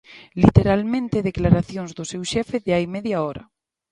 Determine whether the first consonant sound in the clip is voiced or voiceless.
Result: voiced